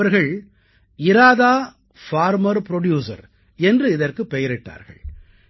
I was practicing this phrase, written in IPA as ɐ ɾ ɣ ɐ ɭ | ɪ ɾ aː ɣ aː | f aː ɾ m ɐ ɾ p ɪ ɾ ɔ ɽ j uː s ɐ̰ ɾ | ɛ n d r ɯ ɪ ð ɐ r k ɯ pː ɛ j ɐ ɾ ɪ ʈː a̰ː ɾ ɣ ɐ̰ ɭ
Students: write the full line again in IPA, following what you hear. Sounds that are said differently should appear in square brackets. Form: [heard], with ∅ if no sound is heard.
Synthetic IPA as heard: ɐ ɾ ɣ ɐ ɭ | ɪ ɾ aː [ð] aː | f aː ɾ m ɐ ɾ p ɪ ɾ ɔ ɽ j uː s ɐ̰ ɾ | ɛ n d r ɯ ɪ ð ɐ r k ɯ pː ɛ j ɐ ɾ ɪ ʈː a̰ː ɾ ɣ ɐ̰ ɭ